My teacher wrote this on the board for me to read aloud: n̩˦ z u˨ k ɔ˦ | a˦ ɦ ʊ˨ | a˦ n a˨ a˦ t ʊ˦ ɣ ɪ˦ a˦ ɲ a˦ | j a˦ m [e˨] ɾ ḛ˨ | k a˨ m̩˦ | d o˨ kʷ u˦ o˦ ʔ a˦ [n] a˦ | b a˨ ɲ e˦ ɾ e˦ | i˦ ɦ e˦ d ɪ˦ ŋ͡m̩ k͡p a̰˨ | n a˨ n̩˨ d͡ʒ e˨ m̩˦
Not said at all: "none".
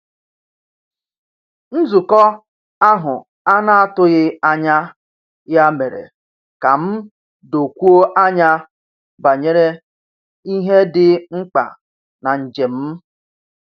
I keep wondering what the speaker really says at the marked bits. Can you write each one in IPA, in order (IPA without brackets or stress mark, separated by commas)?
e˨, ɲ